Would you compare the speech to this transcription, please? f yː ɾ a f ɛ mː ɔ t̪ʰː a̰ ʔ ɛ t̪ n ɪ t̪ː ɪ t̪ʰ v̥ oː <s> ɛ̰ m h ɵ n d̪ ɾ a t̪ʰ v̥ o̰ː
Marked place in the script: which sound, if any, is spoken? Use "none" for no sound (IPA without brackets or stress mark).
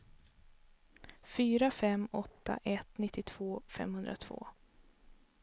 f